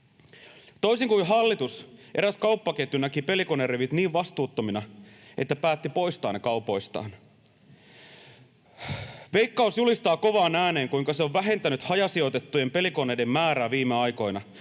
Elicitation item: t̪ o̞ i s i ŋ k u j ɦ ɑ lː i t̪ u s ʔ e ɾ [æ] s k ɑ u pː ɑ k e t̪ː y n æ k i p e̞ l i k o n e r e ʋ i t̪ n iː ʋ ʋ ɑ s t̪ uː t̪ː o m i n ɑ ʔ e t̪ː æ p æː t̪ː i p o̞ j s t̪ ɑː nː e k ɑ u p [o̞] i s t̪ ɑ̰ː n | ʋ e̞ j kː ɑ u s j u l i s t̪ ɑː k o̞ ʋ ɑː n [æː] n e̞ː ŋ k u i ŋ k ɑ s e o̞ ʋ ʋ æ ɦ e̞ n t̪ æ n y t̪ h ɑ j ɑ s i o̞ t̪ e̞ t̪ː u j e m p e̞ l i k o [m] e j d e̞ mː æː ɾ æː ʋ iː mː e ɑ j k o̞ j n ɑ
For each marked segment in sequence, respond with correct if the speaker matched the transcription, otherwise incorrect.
correct, correct, correct, incorrect: n

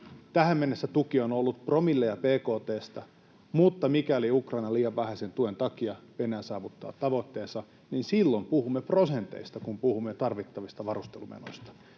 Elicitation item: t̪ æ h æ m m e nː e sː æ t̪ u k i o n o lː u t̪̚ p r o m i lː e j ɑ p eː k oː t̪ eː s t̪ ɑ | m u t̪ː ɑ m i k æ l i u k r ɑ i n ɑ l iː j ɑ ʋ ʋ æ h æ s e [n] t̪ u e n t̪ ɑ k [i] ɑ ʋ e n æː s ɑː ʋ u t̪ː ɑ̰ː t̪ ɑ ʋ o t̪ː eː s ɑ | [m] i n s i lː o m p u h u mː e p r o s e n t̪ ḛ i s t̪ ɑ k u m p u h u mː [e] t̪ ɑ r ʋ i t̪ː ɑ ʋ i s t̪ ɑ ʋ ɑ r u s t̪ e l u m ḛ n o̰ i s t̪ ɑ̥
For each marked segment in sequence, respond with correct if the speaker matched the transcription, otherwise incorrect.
correct, correct, incorrect: n, correct

